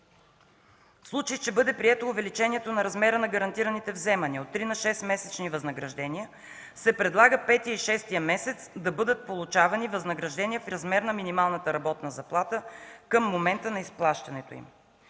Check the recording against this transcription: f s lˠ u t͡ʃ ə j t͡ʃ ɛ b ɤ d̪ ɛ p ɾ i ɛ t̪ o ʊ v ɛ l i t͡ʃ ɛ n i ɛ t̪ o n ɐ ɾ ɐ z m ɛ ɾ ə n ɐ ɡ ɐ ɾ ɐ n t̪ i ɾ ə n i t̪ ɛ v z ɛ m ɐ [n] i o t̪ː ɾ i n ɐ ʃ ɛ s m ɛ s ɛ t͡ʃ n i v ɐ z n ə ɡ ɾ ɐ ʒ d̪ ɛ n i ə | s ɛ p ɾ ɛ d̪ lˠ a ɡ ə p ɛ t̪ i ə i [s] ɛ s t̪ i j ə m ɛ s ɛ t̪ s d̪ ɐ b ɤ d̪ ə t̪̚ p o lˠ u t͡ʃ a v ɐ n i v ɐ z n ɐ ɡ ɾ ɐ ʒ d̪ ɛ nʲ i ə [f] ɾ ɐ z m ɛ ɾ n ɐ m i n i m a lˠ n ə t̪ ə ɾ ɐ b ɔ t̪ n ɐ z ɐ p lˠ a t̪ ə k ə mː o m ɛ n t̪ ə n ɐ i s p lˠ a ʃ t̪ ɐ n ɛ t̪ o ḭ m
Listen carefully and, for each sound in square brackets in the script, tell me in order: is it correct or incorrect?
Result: correct, incorrect, correct

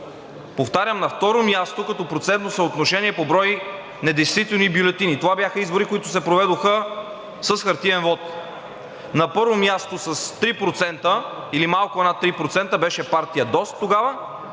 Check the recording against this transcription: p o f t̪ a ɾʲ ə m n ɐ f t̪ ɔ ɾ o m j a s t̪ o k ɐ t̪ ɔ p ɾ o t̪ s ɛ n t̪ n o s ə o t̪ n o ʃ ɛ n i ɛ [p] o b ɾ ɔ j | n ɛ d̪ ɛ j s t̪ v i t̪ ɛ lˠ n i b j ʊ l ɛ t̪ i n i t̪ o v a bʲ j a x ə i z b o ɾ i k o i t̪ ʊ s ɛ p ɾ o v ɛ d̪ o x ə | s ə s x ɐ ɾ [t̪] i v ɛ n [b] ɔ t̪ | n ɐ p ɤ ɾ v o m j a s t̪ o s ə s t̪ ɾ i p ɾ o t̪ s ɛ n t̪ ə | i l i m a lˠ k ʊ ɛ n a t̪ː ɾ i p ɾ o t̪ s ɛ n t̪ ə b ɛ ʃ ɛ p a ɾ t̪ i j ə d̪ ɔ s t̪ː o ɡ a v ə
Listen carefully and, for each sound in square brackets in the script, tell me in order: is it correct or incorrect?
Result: correct, correct, incorrect

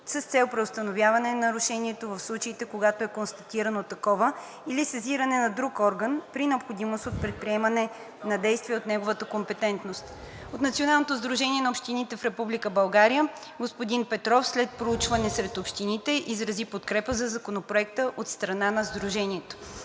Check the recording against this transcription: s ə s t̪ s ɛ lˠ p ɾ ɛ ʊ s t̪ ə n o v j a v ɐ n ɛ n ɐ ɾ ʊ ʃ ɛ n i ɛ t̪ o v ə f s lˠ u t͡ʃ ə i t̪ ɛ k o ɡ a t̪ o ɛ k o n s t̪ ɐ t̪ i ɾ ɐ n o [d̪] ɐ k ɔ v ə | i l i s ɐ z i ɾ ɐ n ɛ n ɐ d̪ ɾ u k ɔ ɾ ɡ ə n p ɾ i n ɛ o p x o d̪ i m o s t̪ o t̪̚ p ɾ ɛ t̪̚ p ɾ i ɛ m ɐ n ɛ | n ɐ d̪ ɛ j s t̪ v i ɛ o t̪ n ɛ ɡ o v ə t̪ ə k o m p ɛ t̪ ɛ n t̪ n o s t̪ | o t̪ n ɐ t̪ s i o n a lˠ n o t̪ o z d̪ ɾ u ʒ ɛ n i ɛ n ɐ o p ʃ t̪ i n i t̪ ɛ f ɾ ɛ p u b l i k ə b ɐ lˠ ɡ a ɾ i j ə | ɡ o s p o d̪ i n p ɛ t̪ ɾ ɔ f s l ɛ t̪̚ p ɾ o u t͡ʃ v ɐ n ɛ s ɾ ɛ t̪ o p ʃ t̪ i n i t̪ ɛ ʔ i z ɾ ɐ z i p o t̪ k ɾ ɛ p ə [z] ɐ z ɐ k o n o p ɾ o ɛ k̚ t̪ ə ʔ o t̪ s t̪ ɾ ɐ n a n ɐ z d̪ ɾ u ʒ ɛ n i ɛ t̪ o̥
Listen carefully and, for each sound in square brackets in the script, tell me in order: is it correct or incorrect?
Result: incorrect, correct

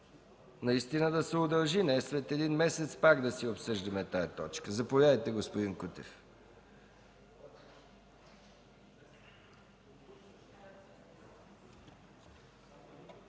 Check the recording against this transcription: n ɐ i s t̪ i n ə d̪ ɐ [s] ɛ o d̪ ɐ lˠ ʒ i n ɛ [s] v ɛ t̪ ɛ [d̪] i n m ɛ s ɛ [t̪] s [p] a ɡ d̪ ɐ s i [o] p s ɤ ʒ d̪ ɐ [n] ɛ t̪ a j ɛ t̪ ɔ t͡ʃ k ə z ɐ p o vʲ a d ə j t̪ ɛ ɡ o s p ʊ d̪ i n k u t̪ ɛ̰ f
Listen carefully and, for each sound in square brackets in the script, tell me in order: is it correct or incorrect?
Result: correct, correct, correct, correct, correct, correct, incorrect

